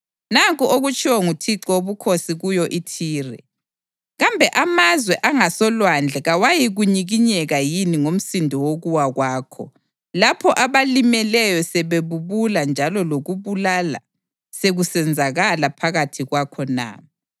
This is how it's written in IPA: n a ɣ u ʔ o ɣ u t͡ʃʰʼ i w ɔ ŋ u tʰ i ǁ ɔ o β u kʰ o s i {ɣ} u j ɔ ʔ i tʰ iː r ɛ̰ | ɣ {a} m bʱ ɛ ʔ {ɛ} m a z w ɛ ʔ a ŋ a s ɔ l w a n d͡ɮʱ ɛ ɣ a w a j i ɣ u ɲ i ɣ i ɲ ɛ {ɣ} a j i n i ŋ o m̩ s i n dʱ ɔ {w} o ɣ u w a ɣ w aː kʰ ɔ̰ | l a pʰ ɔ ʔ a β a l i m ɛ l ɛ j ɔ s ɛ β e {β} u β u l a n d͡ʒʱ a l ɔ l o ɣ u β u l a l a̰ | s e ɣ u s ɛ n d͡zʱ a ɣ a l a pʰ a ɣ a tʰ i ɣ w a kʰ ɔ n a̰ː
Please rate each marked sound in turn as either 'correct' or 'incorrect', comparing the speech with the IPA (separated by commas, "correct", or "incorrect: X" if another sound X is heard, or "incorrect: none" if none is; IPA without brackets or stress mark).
correct, correct, incorrect: a, correct, correct, correct